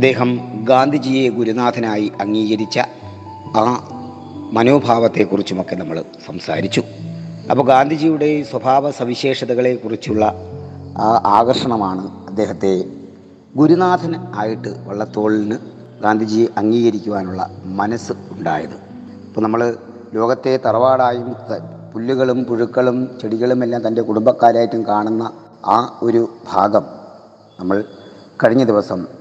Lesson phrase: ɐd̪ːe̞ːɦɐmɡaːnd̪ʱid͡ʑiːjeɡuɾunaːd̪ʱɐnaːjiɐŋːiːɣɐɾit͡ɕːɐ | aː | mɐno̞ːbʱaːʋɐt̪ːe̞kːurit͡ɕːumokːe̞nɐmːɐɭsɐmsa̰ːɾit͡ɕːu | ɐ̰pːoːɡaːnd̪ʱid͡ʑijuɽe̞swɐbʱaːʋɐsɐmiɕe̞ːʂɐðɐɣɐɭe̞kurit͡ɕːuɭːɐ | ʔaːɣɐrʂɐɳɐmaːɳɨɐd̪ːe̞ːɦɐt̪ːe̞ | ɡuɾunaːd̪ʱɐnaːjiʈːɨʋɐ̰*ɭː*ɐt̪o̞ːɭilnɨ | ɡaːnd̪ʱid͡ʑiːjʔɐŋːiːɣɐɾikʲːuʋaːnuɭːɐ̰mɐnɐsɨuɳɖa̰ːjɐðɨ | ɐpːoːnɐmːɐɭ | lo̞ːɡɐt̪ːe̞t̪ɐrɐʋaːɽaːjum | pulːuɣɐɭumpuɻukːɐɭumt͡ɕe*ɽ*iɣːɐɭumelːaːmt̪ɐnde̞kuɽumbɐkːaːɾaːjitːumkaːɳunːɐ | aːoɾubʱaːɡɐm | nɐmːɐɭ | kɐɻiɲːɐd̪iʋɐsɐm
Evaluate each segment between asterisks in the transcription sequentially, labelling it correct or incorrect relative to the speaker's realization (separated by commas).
correct, correct